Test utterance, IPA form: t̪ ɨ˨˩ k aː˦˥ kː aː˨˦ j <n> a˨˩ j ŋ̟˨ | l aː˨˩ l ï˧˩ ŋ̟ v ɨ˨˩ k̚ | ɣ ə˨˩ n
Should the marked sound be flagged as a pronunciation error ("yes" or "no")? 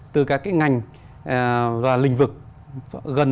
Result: yes